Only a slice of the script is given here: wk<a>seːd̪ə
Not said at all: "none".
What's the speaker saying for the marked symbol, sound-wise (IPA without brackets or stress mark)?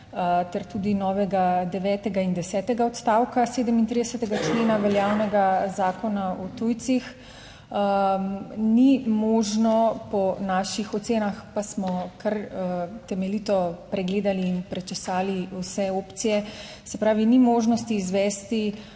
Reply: a